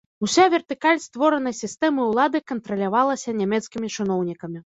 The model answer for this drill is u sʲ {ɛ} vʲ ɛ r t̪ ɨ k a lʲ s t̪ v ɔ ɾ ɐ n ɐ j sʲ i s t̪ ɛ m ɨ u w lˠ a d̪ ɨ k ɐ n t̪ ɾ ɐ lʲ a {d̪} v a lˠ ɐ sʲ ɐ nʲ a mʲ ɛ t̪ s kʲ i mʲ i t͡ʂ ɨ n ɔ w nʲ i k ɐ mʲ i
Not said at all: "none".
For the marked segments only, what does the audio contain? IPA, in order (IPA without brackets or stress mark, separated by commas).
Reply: a, none